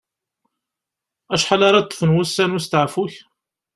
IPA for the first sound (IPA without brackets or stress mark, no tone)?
æ